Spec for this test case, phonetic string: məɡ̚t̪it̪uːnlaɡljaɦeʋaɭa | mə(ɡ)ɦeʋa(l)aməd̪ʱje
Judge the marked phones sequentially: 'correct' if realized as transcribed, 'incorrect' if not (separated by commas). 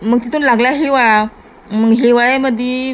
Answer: correct, incorrect